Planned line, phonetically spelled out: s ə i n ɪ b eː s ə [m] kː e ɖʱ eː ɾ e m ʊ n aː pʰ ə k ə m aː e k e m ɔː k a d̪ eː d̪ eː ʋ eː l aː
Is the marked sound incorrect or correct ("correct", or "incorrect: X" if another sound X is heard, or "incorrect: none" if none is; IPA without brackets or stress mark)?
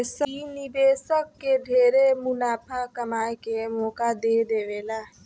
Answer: incorrect: none